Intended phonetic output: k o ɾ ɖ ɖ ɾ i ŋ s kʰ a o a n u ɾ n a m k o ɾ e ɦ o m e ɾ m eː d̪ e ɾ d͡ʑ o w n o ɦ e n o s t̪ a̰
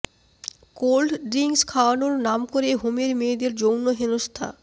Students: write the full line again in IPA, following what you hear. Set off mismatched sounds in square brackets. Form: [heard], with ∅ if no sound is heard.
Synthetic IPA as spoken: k o [l] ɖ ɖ ɾ i ŋ s kʰ a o a n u ɾ n a m k o ɾ e ɦ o m e ɾ m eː d̪ e ɾ d͡ʑ o w n o ɦ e n o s [t̪ʰ] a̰